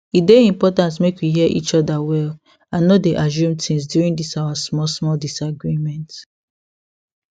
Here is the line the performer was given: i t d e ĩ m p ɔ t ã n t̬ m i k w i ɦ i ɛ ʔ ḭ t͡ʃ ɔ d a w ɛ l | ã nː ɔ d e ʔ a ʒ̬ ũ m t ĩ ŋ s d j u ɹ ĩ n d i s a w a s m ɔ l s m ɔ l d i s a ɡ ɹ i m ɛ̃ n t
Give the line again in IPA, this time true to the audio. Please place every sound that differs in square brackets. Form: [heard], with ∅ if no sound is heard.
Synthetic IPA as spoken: i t d e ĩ m p ɔ t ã n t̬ m [e] k w i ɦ i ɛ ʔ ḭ t͡ʃ ɔ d a w ɛ l | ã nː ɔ d e ʔ a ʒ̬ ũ m t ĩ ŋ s d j u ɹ ĩ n d i s a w a s m ɔ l s m ɔ l d i s a ɡ ɹ i m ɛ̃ n t